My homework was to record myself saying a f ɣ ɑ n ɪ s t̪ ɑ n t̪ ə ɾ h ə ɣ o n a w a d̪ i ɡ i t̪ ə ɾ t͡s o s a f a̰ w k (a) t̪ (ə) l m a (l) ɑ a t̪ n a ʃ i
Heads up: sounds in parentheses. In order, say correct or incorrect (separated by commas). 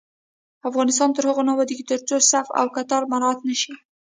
correct, incorrect, incorrect